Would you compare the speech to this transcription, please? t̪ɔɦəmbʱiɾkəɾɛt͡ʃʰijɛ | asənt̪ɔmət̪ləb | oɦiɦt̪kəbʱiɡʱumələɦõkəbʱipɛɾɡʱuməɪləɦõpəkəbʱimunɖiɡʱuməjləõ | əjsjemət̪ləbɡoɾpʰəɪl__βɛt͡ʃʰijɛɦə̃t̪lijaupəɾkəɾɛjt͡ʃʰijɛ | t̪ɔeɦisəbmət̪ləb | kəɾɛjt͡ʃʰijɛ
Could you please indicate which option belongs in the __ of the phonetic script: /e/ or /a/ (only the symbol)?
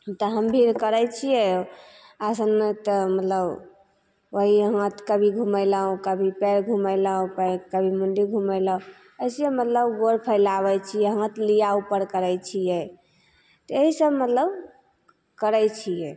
a